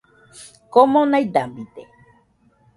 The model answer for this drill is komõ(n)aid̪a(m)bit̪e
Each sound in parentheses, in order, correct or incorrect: correct, correct

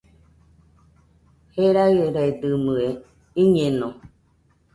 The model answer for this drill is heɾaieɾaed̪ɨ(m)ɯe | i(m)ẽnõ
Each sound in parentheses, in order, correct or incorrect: correct, incorrect

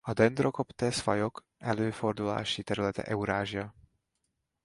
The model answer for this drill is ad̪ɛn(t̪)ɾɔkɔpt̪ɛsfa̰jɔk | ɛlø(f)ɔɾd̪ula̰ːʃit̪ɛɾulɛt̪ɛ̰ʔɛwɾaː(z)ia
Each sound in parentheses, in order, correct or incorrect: incorrect, correct, incorrect

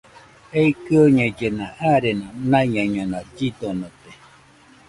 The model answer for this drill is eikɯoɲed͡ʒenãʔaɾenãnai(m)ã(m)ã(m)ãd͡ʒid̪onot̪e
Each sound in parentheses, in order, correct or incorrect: incorrect, incorrect, incorrect

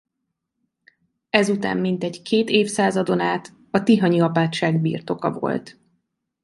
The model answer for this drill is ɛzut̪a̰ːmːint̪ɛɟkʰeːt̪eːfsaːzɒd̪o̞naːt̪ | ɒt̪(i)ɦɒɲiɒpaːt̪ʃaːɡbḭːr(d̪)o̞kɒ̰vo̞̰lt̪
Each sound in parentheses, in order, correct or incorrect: correct, incorrect

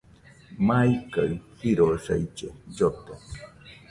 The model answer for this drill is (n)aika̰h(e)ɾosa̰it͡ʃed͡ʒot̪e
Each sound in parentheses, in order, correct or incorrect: incorrect, incorrect

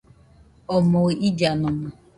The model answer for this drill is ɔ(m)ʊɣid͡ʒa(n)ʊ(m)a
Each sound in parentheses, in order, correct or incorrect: correct, correct, correct

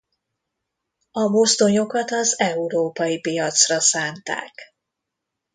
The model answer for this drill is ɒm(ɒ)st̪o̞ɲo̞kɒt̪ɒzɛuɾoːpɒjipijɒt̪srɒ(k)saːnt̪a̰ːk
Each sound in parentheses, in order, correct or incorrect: incorrect, incorrect

